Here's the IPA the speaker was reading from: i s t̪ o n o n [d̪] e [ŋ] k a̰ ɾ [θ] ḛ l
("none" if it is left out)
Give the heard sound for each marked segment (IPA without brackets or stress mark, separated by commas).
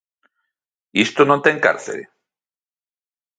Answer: t̪, ŋ, θ